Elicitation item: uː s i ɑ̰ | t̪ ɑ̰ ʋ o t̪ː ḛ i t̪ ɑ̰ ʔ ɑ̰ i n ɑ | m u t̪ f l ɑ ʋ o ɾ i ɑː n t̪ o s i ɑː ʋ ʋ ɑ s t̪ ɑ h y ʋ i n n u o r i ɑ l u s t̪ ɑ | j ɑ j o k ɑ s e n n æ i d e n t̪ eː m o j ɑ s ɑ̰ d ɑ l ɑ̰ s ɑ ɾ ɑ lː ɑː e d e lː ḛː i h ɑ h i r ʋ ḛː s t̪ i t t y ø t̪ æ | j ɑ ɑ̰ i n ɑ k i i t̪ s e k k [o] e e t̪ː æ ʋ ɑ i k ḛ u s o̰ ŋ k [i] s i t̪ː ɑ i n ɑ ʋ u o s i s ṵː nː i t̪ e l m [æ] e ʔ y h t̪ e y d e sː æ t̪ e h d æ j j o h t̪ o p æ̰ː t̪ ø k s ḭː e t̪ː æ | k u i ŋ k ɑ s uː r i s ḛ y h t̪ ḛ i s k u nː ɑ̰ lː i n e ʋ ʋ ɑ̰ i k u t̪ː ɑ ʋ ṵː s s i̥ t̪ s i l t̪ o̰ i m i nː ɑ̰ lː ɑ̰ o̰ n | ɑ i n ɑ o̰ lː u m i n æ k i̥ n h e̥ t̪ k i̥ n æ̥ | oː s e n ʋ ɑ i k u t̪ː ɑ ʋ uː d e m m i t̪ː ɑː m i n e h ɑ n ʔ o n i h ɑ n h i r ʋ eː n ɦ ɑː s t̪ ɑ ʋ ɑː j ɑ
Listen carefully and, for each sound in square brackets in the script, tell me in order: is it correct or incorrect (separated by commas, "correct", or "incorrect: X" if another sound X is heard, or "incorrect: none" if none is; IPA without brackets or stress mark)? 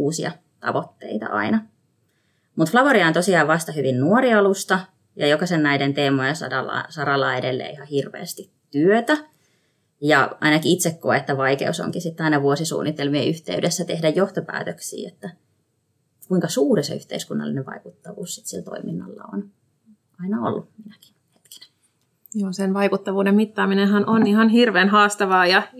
correct, correct, incorrect: i